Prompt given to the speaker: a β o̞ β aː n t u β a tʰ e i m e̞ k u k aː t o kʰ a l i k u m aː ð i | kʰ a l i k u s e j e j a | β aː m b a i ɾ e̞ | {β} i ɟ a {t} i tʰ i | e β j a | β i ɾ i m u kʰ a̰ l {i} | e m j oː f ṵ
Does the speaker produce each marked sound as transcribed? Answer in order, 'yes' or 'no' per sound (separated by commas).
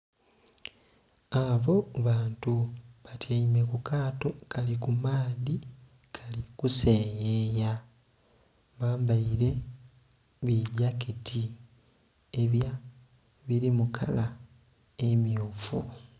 yes, no, no